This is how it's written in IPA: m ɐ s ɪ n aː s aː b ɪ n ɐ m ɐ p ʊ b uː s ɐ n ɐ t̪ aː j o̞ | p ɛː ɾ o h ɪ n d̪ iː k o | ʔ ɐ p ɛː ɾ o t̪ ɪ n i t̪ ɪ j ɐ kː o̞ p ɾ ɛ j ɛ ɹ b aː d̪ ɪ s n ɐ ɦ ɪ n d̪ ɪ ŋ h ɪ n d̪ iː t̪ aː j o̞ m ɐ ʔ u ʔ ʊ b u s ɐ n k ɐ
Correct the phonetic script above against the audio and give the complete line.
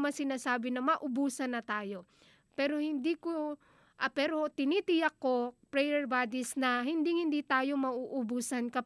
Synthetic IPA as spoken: m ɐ s ɪ n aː s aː b ɪ n ɐ m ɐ ʔ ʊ b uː s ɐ n ɐ t̪ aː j o̞ | p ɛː ɾ o h ɪ n d̪ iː k o | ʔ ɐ p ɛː ɾ o t̪ ɪ n i t̪ ɪ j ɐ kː o̞ p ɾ ɛ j ɛ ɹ b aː d̪ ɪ s n ɐ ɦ ɪ n d̪ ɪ ŋ h ɪ n d̪ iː t̪ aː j o̞ m ɐ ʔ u ʔ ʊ b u s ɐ n k ɐ